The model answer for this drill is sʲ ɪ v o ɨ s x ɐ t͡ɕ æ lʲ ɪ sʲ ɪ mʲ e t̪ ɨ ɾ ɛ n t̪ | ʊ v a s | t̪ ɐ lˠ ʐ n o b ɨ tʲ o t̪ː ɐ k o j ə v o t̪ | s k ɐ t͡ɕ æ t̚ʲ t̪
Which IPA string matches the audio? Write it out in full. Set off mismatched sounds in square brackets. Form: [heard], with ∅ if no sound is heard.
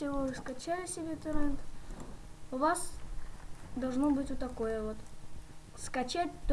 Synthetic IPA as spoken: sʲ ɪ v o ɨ s [k] ɐ t͡ɕ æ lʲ ɪ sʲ ɪ [bʲ] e t̪ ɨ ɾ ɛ n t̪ | ʊ v a s | [d̪] ɐ lˠ ʐ n o b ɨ tʲ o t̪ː ɐ k o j ə v o t̪ | s k ɐ t͡ɕ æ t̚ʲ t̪